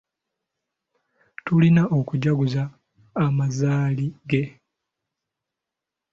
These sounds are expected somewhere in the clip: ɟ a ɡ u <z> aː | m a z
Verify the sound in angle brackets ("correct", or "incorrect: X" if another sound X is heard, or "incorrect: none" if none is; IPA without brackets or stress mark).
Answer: correct